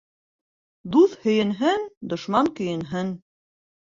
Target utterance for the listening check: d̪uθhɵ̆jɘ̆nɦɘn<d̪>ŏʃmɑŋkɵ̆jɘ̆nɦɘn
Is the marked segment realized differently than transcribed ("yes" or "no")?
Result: no